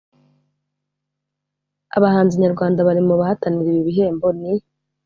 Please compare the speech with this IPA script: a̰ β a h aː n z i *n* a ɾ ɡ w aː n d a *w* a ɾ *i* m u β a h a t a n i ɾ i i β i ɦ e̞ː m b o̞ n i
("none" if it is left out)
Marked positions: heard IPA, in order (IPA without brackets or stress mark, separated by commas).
ɲ, β, i